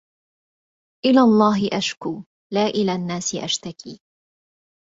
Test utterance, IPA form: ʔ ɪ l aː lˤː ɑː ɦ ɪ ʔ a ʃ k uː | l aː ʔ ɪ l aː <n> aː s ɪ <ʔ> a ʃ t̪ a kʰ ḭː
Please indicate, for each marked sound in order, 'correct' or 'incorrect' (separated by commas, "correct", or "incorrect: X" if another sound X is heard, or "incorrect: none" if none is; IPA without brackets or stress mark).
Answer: incorrect: nː, correct